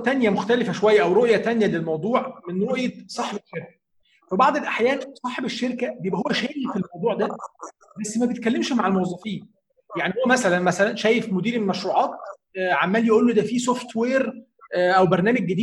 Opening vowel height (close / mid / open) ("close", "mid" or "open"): open